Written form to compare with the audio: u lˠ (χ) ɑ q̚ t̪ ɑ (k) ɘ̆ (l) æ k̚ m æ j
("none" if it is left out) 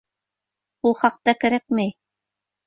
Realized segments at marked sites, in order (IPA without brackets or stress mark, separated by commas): χ, k, ɾ